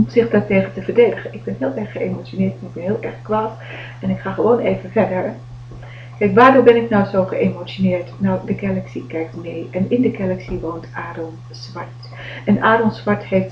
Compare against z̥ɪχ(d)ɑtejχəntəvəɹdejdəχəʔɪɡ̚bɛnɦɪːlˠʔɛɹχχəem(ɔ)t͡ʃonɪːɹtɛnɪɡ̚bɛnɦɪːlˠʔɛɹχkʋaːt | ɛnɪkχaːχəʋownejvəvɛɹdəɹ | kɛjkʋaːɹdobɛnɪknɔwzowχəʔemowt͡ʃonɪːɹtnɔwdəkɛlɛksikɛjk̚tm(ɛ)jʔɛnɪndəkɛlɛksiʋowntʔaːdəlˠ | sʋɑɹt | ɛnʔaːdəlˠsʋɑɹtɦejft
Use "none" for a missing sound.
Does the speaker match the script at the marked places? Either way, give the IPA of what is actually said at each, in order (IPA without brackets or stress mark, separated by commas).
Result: d, o, e